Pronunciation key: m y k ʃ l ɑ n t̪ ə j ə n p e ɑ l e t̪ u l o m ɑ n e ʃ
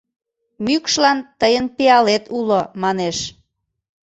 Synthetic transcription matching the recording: m y k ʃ l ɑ n t̪ ə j ə n p e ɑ l e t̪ u l o m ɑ n e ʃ